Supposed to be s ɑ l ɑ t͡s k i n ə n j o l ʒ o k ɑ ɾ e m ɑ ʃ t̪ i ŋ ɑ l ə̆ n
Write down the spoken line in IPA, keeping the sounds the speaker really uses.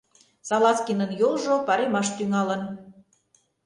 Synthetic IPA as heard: s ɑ l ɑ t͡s k i n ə n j o l ʒ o p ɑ ɾ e m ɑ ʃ t̪ y ŋ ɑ l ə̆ n